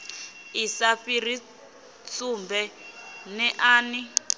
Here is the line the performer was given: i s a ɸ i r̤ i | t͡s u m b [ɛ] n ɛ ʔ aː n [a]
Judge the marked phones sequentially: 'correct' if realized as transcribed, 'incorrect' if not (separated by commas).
correct, incorrect